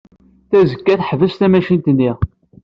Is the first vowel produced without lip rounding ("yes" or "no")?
yes